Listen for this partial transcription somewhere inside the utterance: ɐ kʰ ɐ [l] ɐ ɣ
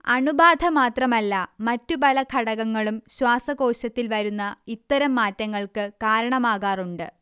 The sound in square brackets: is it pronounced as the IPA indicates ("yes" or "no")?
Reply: no